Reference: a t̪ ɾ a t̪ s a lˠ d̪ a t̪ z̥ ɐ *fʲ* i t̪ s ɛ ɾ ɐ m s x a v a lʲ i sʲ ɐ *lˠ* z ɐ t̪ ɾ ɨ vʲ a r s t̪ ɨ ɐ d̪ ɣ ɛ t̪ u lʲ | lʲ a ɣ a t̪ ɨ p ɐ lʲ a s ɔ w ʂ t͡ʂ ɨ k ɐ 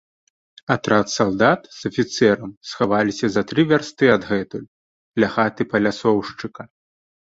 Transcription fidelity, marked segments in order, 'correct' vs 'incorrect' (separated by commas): correct, incorrect